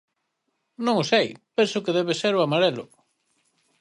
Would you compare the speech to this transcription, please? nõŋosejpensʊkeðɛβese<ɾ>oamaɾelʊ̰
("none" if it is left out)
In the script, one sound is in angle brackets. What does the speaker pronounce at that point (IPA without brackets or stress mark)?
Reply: ɾ